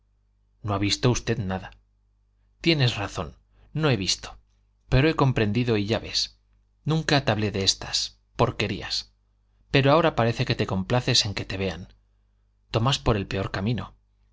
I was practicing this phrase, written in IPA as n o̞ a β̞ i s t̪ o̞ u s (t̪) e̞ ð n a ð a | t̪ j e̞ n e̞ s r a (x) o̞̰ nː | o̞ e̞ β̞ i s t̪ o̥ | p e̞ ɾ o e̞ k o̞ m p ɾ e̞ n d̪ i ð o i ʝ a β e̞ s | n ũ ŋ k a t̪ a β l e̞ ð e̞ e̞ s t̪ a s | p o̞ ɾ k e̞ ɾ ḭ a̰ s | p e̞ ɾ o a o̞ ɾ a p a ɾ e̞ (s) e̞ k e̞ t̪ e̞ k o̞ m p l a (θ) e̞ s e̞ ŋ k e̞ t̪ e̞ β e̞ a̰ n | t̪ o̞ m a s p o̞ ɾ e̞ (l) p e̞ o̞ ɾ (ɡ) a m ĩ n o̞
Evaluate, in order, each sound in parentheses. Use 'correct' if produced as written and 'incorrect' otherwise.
correct, incorrect: θ, incorrect: θ, correct, correct, incorrect: k

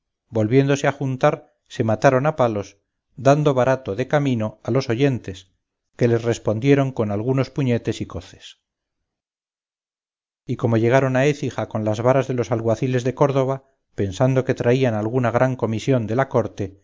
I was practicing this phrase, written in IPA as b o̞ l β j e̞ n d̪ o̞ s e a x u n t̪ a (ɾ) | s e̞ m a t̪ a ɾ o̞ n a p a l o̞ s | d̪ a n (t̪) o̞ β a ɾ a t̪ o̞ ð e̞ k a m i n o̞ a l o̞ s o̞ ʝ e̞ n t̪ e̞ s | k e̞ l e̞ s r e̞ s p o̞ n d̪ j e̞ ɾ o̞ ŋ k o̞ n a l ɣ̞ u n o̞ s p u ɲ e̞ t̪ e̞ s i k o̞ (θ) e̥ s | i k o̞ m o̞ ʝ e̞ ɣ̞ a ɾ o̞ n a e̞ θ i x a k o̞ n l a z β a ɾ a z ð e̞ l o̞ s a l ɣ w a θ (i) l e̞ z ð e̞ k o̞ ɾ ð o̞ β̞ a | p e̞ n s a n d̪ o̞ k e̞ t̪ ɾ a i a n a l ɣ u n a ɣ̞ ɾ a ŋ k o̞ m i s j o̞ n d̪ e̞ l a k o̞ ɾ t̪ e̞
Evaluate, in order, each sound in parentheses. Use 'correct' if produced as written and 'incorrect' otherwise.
correct, incorrect: d̪, correct, correct

